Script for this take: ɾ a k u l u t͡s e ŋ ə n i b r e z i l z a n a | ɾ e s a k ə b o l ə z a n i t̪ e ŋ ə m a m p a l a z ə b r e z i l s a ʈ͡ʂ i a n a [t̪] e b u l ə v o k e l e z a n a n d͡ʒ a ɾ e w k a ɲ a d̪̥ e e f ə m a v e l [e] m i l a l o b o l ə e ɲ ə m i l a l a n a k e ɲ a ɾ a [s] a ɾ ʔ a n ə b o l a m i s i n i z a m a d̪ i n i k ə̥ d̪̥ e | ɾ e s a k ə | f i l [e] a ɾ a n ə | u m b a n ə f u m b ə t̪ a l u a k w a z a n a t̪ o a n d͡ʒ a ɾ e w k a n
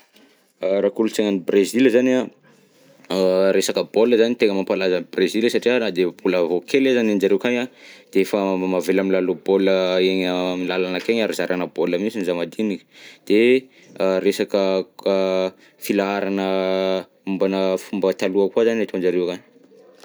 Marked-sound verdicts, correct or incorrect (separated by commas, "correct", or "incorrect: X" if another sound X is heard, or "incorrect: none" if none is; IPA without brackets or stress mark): incorrect: d̪, incorrect: a, incorrect: z, incorrect: a